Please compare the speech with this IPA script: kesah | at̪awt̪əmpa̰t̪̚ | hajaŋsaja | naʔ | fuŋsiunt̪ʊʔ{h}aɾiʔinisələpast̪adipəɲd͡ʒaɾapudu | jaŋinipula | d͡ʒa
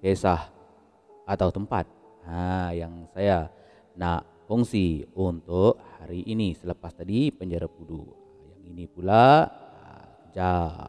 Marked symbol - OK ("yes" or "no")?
yes